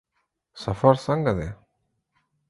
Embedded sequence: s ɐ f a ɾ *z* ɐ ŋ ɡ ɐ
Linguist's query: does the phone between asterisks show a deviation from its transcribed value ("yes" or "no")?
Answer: yes